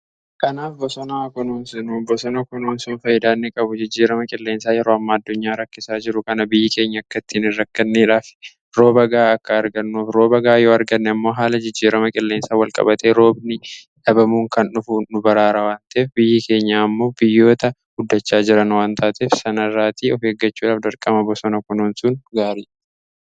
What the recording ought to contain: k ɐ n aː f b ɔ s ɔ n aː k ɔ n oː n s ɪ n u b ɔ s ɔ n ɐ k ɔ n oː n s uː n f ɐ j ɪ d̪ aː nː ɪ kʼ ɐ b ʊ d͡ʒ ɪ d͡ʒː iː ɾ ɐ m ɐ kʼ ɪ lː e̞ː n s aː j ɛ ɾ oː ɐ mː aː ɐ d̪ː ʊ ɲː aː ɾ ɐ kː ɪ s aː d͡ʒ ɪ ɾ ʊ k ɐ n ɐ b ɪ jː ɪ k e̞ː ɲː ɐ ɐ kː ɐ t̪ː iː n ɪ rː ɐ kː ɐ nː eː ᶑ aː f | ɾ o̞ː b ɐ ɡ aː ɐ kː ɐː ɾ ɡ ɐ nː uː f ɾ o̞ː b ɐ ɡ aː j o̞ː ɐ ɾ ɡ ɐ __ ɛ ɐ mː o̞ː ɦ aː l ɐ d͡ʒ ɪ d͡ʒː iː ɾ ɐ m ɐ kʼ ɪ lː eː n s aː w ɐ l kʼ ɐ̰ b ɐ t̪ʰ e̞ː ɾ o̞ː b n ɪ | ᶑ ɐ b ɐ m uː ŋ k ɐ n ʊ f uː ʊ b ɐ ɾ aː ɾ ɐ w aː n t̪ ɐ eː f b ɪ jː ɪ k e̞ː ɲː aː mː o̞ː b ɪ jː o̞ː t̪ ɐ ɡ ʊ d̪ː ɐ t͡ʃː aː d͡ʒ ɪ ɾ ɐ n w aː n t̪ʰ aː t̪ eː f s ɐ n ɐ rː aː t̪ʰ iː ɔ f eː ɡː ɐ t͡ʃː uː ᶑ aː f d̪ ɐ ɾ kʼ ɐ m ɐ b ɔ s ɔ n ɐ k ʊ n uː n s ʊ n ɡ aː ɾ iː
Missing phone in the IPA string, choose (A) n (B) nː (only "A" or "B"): B